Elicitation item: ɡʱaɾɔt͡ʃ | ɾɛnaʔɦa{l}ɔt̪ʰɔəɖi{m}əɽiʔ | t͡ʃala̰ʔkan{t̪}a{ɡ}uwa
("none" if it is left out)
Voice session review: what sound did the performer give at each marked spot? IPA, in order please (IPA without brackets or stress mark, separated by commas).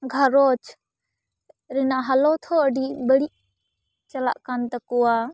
l, b, t̪, k